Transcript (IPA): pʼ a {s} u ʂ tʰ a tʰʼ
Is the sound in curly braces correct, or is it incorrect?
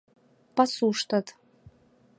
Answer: correct